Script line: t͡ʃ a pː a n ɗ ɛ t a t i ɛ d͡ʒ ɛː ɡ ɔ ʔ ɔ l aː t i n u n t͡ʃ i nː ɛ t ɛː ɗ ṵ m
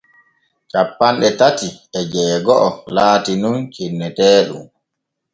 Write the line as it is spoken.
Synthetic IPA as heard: t͡ʃ a pː a n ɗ ɛ t a t i ɛ d͡ʒ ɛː ɡ ɔ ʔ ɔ l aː t i n u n t͡ʃ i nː ɛ t ɛː ɗ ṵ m